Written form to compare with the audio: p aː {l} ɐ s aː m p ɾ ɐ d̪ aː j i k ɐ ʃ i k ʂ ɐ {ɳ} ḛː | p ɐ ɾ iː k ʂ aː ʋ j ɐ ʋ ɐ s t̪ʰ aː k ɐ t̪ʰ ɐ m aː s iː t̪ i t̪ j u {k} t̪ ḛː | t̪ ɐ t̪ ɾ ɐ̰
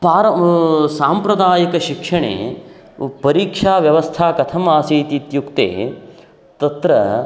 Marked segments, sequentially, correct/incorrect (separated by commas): incorrect, correct, correct